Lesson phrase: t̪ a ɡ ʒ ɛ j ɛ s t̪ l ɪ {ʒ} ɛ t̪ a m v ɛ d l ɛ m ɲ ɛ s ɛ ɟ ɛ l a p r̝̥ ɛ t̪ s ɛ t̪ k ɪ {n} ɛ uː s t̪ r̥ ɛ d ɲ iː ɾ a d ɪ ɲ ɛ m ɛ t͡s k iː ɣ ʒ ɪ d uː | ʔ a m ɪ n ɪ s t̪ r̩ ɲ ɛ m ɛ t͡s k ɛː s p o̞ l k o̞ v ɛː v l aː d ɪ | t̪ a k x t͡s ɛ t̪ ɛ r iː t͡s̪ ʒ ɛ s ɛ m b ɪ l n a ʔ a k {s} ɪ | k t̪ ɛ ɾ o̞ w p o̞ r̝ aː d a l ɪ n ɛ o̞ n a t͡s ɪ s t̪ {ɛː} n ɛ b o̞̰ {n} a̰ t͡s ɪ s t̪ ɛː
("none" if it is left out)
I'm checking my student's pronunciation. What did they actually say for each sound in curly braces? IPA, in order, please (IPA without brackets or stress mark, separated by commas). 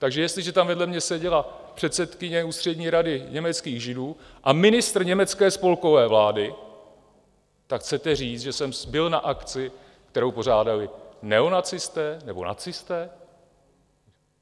ʒ, ɲ, t͡s, ɛː, n